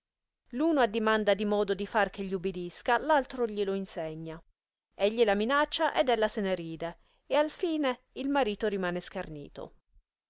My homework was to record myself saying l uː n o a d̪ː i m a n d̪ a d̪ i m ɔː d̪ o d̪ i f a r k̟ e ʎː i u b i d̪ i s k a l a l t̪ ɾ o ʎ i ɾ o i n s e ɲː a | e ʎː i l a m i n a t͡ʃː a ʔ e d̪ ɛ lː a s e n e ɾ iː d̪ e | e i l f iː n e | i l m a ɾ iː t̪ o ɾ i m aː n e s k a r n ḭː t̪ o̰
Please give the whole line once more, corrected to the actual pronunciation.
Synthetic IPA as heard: l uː n o a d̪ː i m a n d̪ a d̪ i m ɔː d̪ o d̪ i f a r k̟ e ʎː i u b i d̪ i s k a l a l t̪ ɾ o ʎ i l o i n s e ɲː a | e ʎː i l a m i n a t͡ʃː a ʔ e d̪ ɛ lː a s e n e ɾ iː d̪ e | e a l f iː n e | i l m a ɾ iː t̪ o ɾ i m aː n e s k a r n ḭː t̪ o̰